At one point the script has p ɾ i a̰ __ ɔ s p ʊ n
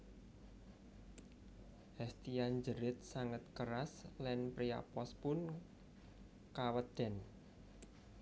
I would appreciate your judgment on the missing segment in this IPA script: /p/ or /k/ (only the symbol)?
p